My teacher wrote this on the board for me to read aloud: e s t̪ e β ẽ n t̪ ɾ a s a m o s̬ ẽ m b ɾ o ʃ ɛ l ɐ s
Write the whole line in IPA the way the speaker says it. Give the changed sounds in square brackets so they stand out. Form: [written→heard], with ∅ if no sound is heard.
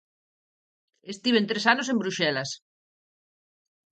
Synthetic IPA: e s t̪ [e→i] β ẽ n t̪ ɾ [a→e] s a [m→n] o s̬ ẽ m b ɾ [o→u] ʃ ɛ l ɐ s